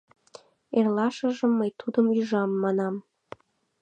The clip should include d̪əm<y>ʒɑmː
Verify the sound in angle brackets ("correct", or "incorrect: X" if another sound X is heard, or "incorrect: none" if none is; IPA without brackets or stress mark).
correct